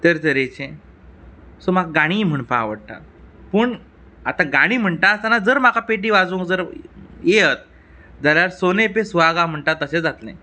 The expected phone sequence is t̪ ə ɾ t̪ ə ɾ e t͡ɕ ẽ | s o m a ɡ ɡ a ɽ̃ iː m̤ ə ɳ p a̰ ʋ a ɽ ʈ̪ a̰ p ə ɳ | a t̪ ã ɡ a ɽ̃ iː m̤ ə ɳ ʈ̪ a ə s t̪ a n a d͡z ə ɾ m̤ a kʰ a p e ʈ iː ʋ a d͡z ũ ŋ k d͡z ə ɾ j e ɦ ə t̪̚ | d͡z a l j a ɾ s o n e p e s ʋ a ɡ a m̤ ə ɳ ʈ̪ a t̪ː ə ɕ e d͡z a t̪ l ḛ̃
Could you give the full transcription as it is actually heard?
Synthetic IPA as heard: t̪ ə ɾ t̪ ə ɾ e t͡ɕ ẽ | s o m a ɡ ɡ a ɽ̃ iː m̤ ə ɳ p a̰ ʋ ə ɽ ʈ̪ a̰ p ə ɳ | a t̪ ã ɡ a ɽ̃ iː m̤ ə ɳ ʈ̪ a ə s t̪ a n a d͡z ə ɾ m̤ a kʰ a p e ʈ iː ʋ a d͡z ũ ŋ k d͡z ə ɾ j e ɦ ə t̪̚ | d͡z a l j a ɾ s o n e p e s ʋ a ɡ a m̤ ə ɳ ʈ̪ a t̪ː ə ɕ e d͡z a t̪ l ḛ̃